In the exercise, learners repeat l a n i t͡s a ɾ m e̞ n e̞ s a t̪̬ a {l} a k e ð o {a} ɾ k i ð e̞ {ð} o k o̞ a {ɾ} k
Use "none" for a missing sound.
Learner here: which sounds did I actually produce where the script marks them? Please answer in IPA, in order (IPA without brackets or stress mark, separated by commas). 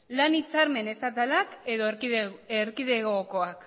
l, e, ɣ, none